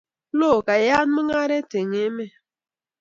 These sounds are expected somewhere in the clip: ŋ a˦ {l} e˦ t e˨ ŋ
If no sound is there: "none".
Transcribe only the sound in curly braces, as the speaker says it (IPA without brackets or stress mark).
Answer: ɾ